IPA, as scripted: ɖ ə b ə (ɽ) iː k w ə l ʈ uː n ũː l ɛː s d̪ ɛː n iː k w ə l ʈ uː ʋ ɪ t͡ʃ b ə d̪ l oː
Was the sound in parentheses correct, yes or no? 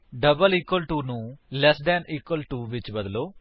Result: no